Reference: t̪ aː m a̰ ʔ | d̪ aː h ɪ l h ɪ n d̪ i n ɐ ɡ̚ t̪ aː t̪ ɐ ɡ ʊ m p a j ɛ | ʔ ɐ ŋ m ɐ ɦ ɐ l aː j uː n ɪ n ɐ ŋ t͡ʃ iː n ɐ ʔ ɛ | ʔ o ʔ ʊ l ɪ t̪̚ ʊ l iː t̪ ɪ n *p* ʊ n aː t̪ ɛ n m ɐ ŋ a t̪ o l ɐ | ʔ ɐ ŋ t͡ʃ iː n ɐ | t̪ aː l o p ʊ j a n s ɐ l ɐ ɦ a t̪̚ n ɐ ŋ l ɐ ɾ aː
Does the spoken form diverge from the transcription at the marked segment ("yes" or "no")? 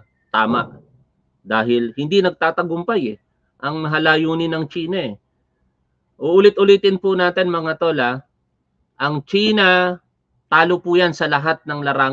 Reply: no